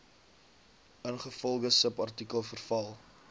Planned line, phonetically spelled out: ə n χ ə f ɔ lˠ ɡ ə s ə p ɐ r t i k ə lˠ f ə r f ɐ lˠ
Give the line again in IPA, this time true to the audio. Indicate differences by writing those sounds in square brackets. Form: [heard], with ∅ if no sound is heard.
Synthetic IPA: ə n χ ə f ɔ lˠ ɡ ə s ə p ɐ r t i k ə lˠ f ə r f ɐ lˠ

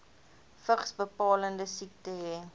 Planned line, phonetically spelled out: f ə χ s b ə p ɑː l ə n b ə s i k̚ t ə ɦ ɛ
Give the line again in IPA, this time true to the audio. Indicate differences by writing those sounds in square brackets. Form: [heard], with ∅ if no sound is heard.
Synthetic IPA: f ə χ s b ə p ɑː l ə n [d] ə s i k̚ t ə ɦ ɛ

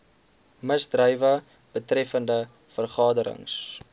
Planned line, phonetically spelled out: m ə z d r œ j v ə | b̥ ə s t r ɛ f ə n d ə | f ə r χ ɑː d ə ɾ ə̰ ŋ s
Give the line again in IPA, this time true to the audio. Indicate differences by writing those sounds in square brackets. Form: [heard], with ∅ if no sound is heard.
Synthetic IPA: m ə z d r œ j v ə | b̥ ə [∅] t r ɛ f ə n d ə | f ə r χ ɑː d ə ɾ ə̰ ŋ s

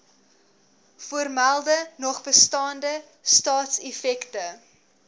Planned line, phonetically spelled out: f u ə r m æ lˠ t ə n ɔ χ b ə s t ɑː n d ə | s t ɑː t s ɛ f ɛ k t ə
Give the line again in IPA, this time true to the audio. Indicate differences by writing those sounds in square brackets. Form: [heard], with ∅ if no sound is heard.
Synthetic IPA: f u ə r m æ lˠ [d] ə n ɔ χ b ə s t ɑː n d ə | s t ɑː t s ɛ f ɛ k t ə

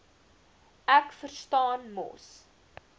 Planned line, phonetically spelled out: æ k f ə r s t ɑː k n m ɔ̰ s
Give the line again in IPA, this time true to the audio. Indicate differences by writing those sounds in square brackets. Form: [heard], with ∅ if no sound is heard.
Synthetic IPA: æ k f ə r s t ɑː [∅] n m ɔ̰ s

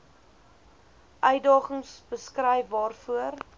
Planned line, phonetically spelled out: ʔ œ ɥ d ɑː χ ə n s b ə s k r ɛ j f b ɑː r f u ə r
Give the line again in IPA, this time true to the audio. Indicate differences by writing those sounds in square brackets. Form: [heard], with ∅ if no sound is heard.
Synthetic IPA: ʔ œ ɥ d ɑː χ ə [ŋ] s b ə s k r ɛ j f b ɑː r f u ə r

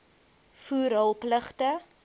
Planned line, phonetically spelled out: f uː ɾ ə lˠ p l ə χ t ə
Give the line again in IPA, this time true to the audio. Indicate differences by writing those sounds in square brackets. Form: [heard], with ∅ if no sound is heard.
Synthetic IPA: f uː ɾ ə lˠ p l ə χ t ə

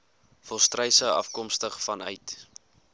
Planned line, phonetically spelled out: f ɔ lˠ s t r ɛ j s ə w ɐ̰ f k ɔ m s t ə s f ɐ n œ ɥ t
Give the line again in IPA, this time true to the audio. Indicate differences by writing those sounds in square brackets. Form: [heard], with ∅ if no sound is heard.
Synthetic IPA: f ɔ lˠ s t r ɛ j s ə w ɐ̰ f k ɔ m s t ə [χ] f ɐ n œ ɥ t

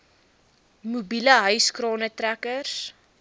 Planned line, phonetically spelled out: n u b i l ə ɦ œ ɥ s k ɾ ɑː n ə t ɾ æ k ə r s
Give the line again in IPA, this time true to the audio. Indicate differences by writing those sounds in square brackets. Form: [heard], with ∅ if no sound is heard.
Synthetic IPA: [m] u b i l ə ɦ œ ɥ s k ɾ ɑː n ə t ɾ æ k ə r s

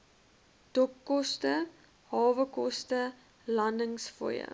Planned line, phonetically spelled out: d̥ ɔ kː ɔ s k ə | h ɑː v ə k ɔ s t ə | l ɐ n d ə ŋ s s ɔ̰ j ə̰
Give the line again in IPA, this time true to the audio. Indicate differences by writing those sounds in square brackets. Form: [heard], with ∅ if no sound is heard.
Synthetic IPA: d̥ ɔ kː ɔ s [t] ə | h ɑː v ə k ɔ s t ə | l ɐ n d ə ŋ s [f] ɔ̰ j ə̰

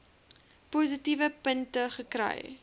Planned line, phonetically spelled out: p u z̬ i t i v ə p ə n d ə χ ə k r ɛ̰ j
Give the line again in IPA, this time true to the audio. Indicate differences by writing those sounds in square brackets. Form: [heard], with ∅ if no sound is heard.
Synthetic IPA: p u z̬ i t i v ə p ə n [t] ə χ ə k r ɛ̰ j

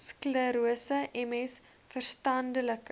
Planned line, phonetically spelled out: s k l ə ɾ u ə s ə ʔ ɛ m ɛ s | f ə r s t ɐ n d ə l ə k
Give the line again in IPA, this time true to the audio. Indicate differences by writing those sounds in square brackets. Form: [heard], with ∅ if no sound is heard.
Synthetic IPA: s k l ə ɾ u ə s ə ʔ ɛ m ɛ s | f ə r s t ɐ n d ə l ə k

